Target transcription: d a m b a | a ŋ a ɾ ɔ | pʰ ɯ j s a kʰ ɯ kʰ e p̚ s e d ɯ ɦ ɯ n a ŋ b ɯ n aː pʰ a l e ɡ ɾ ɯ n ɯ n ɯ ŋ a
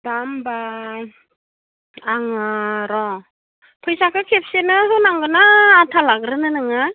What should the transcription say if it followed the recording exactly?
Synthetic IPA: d a m b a | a ŋ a ɾ ɔ | pʰ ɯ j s a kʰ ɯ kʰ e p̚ s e n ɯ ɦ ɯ n a ŋ ɡ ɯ n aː tʰ a l a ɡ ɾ ɯ n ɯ n ɯ ŋ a